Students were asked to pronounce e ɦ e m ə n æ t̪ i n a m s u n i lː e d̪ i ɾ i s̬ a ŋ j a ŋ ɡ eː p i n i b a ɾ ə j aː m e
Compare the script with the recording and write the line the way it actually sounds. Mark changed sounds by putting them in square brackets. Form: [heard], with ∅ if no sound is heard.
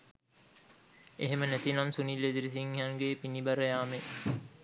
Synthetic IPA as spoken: e ɦ e m ə n æ t̪ i n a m s u n i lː e d̪ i ɾ i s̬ [i] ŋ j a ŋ ɡ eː p i n i b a ɾ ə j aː m e

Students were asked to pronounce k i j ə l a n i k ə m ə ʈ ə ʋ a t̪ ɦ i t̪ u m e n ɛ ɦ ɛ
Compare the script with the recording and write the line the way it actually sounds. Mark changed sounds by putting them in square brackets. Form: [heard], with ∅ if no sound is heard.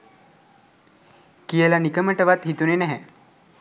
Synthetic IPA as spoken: k i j ə l a n i k ə m ə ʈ ə ʋ a t̪ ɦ i t̪ u [n] e n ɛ ɦ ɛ

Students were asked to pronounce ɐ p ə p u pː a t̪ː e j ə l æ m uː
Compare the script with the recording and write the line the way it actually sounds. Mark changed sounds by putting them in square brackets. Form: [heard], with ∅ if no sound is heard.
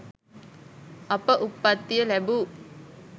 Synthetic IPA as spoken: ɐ p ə [ʔ] u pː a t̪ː [i] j ə l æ [b] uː

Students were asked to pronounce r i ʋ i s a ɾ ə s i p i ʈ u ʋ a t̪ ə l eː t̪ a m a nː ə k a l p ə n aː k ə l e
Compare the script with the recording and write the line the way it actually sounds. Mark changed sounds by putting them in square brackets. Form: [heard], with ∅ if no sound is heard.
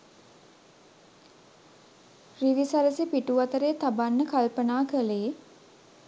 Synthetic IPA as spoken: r i ʋ i s a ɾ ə s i p i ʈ u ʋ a t̪ ə [ɾ] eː t̪ a [b] a nː ə k a l p ə n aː k ə l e

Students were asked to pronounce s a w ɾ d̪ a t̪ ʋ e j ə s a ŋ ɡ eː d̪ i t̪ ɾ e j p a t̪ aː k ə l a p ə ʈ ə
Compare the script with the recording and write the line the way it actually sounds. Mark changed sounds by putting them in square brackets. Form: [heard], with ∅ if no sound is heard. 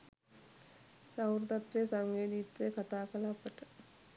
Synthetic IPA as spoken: s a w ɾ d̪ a t̪ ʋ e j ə s a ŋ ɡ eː d̪ i t̪ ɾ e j [k] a t̪ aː k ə l a p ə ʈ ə

